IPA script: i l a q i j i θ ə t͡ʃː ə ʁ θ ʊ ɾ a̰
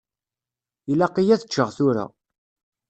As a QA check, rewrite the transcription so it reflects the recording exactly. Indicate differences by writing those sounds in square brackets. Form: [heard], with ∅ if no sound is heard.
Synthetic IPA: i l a q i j [æ] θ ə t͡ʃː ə ʁ θ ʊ ɾ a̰